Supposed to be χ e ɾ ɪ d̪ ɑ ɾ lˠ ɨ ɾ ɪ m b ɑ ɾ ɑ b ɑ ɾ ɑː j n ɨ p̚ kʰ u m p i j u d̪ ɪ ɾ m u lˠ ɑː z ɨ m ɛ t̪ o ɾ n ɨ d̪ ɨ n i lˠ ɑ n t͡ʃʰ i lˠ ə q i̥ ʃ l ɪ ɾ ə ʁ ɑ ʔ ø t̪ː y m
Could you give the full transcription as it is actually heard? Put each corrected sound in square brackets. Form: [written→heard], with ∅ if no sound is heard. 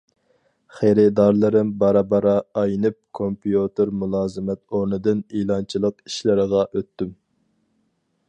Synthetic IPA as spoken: χ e ɾ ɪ d̪ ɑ ɾ lˠ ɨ ɾ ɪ m b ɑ ɾ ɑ b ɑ ɾ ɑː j n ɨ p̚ kʰ [u→o] m p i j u [d̪→t̪] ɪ ɾ m u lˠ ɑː z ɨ m ɛ t̪ o ɾ n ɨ d̪ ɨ n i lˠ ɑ n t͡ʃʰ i lˠ ə q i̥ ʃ l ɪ ɾ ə ʁ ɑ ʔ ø t̪ː y m